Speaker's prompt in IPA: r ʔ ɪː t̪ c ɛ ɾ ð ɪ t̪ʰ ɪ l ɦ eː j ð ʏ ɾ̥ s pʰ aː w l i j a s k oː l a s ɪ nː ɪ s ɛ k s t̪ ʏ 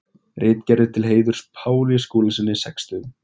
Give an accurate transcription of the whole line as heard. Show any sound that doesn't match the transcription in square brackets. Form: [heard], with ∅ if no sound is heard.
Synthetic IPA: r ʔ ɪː t̪ c ɛ ɾ ð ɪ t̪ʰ ɪ l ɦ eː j ð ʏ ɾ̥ s pʰ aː w l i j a s k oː l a s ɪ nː ɪ s ɛ k s t̪ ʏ